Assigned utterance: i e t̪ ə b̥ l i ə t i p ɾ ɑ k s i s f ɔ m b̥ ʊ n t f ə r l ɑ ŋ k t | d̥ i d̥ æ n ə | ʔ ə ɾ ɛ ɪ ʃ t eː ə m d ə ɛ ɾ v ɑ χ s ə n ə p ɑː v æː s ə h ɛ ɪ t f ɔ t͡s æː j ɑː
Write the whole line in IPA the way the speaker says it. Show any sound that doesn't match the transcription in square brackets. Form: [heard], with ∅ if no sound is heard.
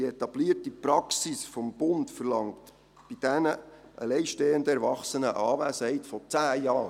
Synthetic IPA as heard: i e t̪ [ɑ] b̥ l i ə t i p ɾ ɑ k s i s f ɔ m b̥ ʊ n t f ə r l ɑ ŋ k t | [b̥] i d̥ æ n ə | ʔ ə [l] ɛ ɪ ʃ t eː ə [n] d ə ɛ ɾ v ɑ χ s ə n ə [ʔ] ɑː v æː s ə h ɛ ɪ t f ɔ t͡s æː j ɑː